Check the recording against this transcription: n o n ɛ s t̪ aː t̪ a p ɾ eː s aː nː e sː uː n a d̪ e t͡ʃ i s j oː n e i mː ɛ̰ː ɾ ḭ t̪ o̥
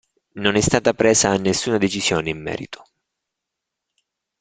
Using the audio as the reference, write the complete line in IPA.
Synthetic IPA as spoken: n o n ɛ s t̪ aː t̪ a p ɾ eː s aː nː e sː uː n a d̪ e t͡ʃ i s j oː n e i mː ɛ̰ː ɾ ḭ t̪ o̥